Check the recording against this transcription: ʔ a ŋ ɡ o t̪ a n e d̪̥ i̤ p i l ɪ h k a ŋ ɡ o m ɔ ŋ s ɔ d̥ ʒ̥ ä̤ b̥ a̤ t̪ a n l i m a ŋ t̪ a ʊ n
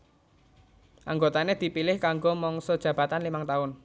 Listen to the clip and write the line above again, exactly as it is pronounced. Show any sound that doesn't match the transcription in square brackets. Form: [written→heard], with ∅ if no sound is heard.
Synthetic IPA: ʔ a ŋ ɡ o t̪ a n e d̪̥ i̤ p i l ɪ h k a ŋ ɡ o m ɔ ŋ s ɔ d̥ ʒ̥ ä̤ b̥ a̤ t̪ a n l i m a ŋ t̪ a ʊ n